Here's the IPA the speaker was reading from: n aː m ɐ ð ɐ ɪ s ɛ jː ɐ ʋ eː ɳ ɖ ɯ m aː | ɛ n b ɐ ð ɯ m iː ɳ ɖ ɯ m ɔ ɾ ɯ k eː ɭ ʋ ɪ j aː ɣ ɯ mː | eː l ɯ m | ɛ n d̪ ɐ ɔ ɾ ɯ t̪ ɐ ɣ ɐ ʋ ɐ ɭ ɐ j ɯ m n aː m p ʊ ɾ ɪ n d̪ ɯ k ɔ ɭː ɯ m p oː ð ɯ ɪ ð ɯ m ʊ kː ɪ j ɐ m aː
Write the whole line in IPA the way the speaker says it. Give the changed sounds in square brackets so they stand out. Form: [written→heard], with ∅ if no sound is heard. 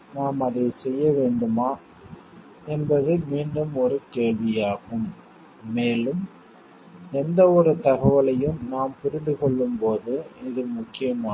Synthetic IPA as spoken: n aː m ɐ ð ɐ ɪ s ɛ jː ɐ ʋ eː ɳ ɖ ɯ m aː | ɛ n b ɐ ð ɯ m iː ɳ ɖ ɯ m ɔ ɾ ɯ k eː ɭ ʋ ɪ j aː ɣ ɯ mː | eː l ɯ m | ɛ n d̪ ɐ ɔ ɾ ɯ t̪ ɐ ɣ ɐ ʋ ɐ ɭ ɐ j ɯ m n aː m p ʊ ɾ ɪ n d̪ ɯ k ɔ ɭː ɯ m p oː ð ɯ ɪ ð ɯ m ʊ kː ɪ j ɐ m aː